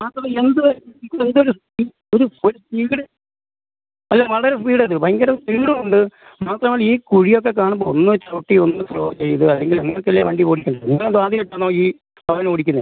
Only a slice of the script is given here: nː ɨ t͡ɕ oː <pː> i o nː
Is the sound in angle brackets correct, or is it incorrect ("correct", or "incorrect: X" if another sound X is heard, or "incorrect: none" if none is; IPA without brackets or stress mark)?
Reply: incorrect: ʈː